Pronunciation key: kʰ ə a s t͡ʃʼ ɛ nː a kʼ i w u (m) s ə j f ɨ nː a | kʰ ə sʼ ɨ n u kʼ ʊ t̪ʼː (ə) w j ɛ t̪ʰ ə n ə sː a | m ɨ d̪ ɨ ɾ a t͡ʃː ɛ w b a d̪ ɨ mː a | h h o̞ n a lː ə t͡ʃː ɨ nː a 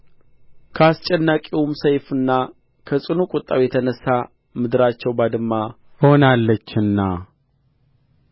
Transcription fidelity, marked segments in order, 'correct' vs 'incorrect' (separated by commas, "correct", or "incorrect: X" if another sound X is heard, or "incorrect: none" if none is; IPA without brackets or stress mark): correct, incorrect: a